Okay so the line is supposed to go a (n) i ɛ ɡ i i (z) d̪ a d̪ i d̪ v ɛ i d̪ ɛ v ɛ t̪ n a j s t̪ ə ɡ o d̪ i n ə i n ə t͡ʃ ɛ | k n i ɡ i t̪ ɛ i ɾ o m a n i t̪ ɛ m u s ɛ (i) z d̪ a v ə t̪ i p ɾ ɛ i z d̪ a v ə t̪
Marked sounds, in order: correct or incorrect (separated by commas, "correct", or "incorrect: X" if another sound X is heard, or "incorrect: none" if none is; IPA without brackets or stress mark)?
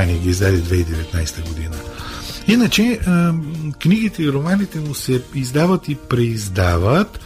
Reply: correct, correct, correct